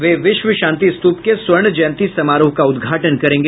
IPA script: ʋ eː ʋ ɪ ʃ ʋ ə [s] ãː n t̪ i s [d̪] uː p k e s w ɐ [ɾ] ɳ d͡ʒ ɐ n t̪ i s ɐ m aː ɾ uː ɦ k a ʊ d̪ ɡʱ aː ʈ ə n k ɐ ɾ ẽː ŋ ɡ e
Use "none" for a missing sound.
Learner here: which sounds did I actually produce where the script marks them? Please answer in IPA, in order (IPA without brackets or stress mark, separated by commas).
ʃ, t̪, ɾ